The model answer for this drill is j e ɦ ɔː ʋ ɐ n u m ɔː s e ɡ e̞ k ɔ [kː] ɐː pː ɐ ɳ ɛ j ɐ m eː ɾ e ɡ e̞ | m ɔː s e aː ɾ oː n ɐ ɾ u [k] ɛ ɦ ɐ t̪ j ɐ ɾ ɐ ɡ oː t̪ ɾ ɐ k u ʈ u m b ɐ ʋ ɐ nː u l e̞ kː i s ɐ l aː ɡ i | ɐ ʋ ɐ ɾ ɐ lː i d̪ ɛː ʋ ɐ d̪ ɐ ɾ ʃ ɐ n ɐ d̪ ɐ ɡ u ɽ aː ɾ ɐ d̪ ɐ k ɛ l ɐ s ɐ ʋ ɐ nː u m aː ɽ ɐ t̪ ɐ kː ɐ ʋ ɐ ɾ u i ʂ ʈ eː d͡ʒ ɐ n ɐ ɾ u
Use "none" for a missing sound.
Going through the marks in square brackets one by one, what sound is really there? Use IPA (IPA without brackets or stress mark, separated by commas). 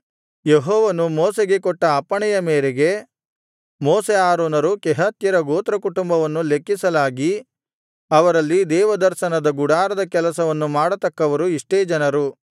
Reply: ʈː, k